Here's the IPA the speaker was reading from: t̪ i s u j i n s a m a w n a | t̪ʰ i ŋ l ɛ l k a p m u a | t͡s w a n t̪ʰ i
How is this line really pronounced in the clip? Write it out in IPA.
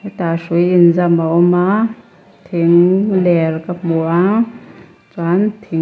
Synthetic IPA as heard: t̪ a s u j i n z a m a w m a | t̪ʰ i ŋ l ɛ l k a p m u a | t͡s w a n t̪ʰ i